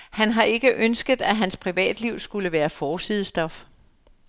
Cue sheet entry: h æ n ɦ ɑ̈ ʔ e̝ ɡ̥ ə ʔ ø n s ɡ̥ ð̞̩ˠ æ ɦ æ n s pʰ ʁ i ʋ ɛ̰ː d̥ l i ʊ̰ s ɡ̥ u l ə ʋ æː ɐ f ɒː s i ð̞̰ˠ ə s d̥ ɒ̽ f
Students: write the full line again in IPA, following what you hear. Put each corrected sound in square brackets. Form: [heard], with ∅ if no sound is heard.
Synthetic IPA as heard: h æ n ɦ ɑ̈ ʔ e̝ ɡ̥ ə ʔ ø n s ɡ̥ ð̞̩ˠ æ ɦ æ n s pʰ ʁ i ʋ ɛ̰ː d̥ l i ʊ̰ s ɡ̥ u l ə ʋ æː ɐ f ɒː s i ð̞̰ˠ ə s d̥ ɒ̽ f